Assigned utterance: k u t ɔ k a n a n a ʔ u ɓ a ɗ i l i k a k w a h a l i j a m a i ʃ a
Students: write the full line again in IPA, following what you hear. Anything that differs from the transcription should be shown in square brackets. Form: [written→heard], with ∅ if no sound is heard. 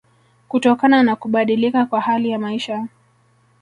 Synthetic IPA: k u t ɔ k a n a n a [ʔ→k] u ɓ a ɗ i l i k a k w a h a l i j a m a i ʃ a

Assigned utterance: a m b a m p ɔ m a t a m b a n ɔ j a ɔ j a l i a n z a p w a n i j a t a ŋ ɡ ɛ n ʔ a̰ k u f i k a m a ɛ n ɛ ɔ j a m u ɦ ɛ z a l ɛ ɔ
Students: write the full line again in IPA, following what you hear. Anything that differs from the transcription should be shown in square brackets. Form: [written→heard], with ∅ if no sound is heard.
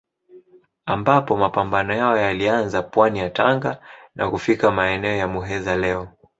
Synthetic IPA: a m b a [m→∅] p ɔ m a [t→p] a m b a n ɔ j a ɔ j a l i a n z a p w a n i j a t a ŋ ɡ [ɛ→a] n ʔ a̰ k u f i k a m a ɛ n ɛ ɔ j a m u ɦ ɛ z a l ɛ ɔ

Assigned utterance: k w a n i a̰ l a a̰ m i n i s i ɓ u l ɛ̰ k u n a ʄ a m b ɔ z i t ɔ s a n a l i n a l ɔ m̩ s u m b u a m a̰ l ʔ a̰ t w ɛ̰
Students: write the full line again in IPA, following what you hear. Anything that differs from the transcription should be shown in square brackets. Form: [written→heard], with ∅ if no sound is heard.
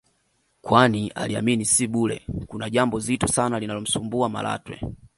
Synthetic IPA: k w a n i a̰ l [a→i] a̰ m i n i s i ɓ u l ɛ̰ k u n a ʄ a m b ɔ z i t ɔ s a n a l i n a l ɔ m̩ s u m b u a m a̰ l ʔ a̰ t w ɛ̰

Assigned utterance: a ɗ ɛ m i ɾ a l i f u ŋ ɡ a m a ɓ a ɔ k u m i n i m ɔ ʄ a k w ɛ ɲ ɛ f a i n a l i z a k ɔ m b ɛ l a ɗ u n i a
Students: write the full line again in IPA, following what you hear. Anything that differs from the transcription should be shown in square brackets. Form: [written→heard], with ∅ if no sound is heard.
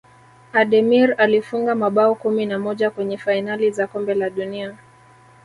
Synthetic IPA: a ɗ ɛ m i ɾ a l i f u ŋ ɡ a m a ɓ a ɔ k u m i n [i→a] m ɔ ʄ a k w ɛ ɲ ɛ f a i n a l i z a k ɔ m b ɛ l a ɗ u n i a

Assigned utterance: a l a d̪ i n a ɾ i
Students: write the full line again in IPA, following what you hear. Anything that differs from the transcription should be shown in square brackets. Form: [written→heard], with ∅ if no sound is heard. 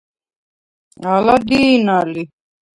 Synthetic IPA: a l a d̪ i n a [ɾ→l] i

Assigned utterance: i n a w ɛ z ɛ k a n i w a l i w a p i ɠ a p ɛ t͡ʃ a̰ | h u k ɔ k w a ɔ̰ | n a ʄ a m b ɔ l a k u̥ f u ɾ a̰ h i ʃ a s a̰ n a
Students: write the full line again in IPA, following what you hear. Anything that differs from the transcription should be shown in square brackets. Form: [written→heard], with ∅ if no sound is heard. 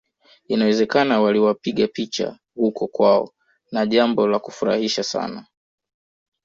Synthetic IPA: i n a w ɛ z ɛ k a n [i→a] w a l i w a p i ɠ a p [ɛ→i] t͡ʃ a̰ | h u k ɔ k w a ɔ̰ | n a ʄ a m b ɔ l a k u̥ f u ɾ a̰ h i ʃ a s a̰ n a

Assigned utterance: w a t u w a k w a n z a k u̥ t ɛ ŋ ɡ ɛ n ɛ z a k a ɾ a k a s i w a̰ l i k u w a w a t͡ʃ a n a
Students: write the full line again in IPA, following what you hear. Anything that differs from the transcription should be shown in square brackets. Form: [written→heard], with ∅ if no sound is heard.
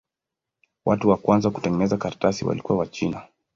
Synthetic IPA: w a t u w a k w a n z a k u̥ t ɛ ŋ ɡ ɛ n ɛ z a k a ɾ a [k→t] a s i w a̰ l i k u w a w a t͡ʃ [a→i] n a

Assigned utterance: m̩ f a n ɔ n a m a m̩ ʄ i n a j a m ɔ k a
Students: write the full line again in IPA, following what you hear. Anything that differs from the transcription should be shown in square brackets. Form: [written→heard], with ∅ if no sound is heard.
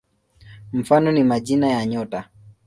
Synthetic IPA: m̩ f a n ɔ n [a→i] m a [m̩→∅] ʄ i n a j a [m→ɲ] ɔ [k→t] a

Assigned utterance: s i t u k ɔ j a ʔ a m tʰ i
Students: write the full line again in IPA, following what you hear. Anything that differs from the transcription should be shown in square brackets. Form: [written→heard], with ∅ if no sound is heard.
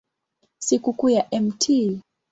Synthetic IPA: s i [t→k] u k [ɔ→u] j a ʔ [a→ɛ] m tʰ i

